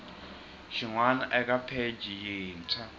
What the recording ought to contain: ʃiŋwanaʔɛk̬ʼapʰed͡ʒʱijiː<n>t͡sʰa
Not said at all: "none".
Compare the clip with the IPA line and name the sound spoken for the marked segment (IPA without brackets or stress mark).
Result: n